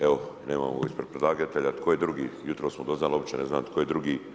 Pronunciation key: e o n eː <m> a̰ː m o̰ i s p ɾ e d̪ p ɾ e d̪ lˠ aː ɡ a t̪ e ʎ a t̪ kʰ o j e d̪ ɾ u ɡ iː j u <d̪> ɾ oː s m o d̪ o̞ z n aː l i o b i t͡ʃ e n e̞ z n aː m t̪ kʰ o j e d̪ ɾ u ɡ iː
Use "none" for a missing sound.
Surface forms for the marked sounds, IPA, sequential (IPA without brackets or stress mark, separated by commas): m, t̪